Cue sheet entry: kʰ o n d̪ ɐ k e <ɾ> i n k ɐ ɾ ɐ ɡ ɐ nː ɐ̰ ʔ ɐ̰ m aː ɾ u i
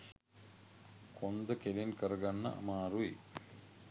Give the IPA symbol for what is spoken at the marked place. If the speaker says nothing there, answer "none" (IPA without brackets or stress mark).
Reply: l